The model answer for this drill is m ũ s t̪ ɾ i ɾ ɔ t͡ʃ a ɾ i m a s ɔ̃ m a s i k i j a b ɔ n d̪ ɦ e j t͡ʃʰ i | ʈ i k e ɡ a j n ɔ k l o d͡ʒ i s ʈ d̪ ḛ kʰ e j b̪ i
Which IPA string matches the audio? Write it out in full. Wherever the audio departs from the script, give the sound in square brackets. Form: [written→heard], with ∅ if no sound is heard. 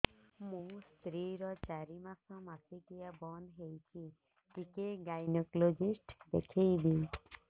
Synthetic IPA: m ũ s t̪ ɾ i ɾ ɔ t͡ʃ a ɾ i m a s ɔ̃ m a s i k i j a b ɔ n d̪ ɦ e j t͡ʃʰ i | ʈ i k e ɡ a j n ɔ k l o d͡ʒ i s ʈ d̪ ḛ kʰ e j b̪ i